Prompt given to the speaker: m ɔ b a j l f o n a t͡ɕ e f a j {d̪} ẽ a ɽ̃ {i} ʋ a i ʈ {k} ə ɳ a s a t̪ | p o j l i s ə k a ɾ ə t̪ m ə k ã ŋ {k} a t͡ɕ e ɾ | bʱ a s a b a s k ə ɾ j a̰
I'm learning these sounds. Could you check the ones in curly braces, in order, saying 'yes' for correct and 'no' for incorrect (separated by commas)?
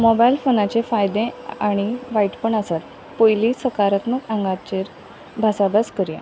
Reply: yes, yes, no, no